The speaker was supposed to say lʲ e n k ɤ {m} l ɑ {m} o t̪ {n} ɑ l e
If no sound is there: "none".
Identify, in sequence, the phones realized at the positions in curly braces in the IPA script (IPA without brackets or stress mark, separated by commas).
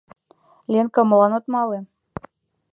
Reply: m, n, m